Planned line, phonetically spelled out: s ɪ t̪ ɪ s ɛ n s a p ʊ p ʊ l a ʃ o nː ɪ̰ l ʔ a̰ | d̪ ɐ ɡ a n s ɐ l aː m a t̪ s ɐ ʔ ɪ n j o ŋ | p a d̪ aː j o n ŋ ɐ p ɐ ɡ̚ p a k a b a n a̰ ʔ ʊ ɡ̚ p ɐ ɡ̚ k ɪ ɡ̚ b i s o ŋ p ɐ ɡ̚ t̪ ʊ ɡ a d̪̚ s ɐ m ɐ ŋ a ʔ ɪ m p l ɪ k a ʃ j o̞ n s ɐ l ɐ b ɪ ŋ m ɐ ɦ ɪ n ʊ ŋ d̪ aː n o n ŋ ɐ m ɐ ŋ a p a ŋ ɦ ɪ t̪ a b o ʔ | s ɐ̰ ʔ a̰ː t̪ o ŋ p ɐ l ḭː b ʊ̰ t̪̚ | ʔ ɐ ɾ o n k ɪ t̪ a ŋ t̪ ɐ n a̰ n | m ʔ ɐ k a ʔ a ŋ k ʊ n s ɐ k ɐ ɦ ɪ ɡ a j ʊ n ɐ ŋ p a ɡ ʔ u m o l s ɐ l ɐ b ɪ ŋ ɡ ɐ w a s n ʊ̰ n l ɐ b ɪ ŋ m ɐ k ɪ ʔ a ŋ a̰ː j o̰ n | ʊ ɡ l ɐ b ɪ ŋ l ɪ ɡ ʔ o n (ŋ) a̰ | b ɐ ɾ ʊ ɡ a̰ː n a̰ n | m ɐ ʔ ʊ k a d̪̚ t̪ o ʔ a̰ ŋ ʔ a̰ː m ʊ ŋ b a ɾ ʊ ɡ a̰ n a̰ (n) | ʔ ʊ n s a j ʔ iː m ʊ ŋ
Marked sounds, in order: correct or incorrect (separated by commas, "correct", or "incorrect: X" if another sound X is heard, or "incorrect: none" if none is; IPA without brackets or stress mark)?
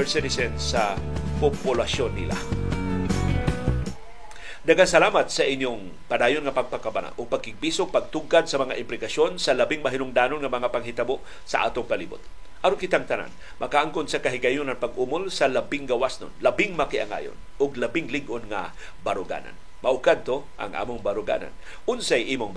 correct, correct